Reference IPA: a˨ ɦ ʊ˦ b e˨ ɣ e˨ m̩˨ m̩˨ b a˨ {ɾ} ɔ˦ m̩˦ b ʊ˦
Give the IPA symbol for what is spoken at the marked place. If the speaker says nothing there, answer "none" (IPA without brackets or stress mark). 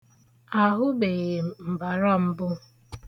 ɾ